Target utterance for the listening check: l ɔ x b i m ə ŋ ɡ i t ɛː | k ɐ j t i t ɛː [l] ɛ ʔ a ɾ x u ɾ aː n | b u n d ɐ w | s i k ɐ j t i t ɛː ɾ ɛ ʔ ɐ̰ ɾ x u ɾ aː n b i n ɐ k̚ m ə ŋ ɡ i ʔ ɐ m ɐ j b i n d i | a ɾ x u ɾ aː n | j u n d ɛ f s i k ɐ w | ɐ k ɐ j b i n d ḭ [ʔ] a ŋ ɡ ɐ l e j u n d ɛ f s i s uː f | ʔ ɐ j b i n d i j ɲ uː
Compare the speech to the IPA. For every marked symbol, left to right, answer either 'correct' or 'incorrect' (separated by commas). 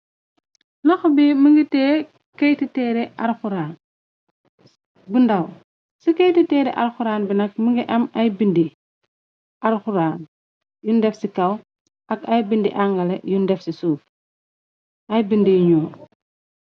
incorrect, correct